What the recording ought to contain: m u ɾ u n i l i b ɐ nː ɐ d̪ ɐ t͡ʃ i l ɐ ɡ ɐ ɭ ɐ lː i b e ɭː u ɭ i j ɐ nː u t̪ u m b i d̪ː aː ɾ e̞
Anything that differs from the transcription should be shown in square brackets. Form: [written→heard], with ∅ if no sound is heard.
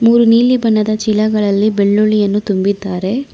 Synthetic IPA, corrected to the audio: m [u→uː] ɾ u n [i→iː] l i b ɐ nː ɐ d̪ ɐ t͡ʃ i l ɐ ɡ ɐ ɭ ɐ lː i b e ɭː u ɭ i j ɐ nː u t̪ u m b i d̪ː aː ɾ e̞